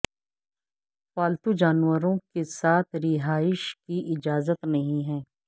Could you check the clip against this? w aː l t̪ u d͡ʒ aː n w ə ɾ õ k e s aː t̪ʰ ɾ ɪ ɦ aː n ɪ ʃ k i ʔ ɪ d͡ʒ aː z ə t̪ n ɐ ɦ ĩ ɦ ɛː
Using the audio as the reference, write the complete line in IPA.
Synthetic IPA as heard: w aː l t̪ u d͡ʒ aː n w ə ɾ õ k e s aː t̪ʰ ɾ ɪ ɦ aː ɪ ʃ k i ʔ ɪ d͡ʒ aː z ə t̪ n ɐ ɦ ĩ ɦ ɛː